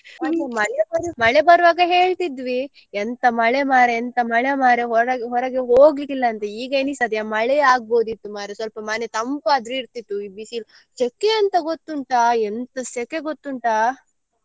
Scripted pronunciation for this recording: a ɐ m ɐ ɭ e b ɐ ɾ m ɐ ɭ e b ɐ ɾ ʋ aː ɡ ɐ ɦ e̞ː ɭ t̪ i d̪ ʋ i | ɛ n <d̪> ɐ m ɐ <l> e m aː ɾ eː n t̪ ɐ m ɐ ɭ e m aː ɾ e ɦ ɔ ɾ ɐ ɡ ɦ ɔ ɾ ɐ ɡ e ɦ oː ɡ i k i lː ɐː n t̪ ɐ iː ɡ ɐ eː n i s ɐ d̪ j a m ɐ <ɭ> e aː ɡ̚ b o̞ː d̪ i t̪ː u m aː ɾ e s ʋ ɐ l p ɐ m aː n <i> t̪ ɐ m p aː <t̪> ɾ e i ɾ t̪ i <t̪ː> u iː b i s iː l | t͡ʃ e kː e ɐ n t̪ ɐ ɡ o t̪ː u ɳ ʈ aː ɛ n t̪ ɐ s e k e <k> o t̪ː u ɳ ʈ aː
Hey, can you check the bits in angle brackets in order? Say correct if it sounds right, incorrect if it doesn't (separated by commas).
incorrect, incorrect, correct, incorrect, incorrect, correct, incorrect